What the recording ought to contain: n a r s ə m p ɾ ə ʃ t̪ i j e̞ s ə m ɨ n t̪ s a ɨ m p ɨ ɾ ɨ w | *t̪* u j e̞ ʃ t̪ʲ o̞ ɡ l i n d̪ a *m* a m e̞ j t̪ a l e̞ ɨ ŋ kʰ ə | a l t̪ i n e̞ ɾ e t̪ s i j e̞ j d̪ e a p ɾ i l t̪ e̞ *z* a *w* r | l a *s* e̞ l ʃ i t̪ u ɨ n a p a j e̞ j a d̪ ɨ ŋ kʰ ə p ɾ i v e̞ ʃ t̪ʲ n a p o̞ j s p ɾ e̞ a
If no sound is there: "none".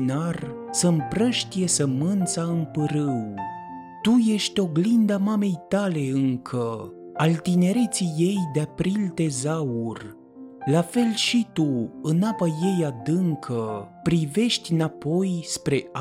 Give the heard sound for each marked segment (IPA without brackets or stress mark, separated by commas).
t̪, m, z, u, f